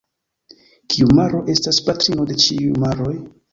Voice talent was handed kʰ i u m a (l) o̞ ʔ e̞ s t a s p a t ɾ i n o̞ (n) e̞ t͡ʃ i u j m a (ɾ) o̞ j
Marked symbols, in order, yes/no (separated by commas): no, no, yes